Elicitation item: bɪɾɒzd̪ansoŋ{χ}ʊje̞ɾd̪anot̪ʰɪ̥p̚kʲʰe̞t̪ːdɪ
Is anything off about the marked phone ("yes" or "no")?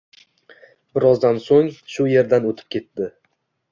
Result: yes